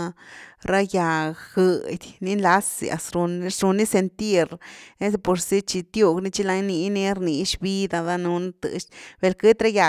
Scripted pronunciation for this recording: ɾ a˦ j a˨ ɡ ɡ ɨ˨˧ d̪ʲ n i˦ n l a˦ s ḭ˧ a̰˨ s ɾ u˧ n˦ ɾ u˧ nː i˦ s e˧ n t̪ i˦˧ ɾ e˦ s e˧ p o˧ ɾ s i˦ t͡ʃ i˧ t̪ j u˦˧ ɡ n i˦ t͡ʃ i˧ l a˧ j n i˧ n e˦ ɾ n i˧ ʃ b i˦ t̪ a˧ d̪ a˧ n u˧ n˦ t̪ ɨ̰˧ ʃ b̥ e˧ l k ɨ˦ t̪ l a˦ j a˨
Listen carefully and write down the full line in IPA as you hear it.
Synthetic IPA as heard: ɾ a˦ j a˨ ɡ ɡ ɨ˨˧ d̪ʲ n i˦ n l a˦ s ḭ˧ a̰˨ s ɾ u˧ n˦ ɾ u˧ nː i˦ s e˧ n t̪ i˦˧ ɾ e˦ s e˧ p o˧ ɾ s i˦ t͡ʃ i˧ t̪ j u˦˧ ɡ n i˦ t͡ʃ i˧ l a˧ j n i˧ n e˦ ɾ n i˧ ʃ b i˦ d̪ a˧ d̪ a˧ n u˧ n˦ t̪ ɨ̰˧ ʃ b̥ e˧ l k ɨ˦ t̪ ɾ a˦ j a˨